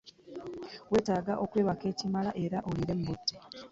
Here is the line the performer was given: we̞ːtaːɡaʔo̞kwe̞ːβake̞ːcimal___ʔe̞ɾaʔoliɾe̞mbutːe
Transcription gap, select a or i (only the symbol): a